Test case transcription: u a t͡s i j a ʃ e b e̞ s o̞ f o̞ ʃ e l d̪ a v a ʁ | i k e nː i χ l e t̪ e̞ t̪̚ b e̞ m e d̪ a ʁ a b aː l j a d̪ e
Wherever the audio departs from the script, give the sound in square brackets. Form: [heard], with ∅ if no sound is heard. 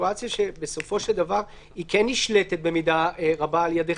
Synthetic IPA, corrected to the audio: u a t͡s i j a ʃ e b e̞ s o̞ f o̞ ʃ e l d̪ a v a ʁ | i k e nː i [ʃ] l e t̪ e̞ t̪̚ b e̞ m [i] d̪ a ʁ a b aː l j a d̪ e

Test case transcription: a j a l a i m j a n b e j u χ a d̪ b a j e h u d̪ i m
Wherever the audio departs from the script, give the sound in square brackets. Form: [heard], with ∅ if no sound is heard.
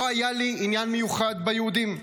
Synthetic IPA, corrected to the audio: a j a l [i] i [n] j a n [m] e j u χ a d̪ b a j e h u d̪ i m

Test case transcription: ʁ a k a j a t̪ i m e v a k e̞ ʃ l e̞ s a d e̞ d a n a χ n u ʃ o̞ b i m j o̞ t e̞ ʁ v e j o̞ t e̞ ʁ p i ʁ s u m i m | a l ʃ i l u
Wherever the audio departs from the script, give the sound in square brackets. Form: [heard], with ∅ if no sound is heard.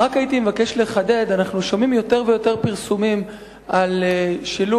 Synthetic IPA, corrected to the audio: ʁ a k a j [i] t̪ i m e v a k e̞ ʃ l e̞ [χ] a d e̞ d a n a χ n u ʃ o̞ [m] i m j o̞ t e̞ ʁ v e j o̞ t e̞ ʁ p i ʁ s u m i m | a l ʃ i l u

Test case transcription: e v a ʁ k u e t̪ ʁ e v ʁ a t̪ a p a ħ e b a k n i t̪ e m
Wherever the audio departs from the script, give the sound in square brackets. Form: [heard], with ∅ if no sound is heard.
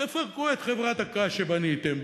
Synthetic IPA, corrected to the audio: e [f] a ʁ k u e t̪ [χ] e v ʁ a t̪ a [k] a [ʃ] e b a [∅] n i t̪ e m

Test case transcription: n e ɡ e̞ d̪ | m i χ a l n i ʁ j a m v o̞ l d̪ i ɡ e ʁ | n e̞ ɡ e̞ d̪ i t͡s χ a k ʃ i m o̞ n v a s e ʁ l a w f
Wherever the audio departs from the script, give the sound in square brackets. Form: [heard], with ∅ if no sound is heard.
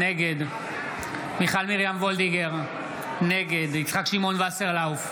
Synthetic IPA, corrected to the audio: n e ɡ e̞ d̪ | m i χ a l [m] i ʁ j a m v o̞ l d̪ i ɡ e ʁ | n e̞ ɡ e̞ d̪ i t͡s χ a k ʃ i m o̞ n v a s e ʁ l a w f

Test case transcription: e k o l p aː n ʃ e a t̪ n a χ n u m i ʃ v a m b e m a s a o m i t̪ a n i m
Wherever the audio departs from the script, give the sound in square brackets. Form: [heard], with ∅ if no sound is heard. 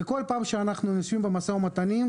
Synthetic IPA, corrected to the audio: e k o l p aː [m] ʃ e a [∅] n a χ n u [n] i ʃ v [i] m b e m a s a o m [a] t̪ a n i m

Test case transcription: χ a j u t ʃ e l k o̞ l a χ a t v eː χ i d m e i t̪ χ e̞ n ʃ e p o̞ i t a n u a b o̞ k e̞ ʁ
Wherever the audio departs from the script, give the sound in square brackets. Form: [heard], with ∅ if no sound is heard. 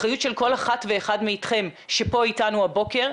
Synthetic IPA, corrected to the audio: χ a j u t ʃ e l k o̞ l a χ a t v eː χ [a] d m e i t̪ χ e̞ [m] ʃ e p o̞ i t a n u a b o̞ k e̞ ʁ

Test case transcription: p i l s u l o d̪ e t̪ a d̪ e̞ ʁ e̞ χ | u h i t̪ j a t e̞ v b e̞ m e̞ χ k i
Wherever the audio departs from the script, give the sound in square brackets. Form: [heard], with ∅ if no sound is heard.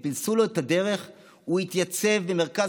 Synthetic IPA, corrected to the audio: p i l s u l o [∅] e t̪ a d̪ e̞ ʁ e̞ χ | u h i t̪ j a [t͡s] e̞ v b e̞ m e̞ [ʁ] k [a]

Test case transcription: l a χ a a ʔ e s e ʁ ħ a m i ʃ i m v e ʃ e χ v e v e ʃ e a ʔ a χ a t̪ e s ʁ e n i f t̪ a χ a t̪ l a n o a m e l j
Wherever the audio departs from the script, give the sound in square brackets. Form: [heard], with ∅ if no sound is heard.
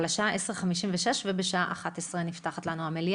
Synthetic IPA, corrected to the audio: l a [ʃ] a a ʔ e s e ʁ [χ] a m i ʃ i m v e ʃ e [ʃ] v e [b] e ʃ [a] a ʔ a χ a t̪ e s ʁ e n i f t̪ a χ a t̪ l a n [u] a m e l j

